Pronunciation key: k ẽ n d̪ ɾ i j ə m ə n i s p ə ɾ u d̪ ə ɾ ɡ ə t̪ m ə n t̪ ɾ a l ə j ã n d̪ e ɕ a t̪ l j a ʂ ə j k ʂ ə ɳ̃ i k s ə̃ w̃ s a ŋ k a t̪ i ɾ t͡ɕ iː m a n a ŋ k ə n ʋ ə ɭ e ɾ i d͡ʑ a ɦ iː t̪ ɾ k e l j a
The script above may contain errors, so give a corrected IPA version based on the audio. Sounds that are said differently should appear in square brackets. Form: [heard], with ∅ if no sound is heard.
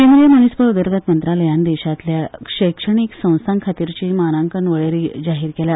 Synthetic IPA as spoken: k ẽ n d̪ ɾ i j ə m ə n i s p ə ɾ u d̪ ə ɾ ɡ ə t̪ m ə n t̪ ɾ a l ə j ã n d̪ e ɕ a t̪ l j a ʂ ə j k ʂ ə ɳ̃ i k s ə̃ w̃ s a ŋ [kʰ] a t̪ i ɾ t͡ɕ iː m a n a ŋ k ə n ʋ ə ɭ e ɾ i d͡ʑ a ɦ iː [∅] ɾ k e l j a